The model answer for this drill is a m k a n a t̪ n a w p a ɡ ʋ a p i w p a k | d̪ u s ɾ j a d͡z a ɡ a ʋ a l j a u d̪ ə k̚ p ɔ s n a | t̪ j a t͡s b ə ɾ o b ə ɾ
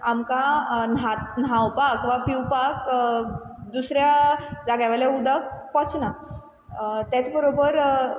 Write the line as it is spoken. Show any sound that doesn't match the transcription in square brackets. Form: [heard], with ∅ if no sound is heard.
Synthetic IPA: a m k a n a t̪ n a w p a [k] ʋ a p i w p a k | d̪ u s ɾ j a d͡z a ɡ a ʋ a l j a u d̪ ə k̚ p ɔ [t͡s] n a | t̪ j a t͡s b ə ɾ o b ə ɾ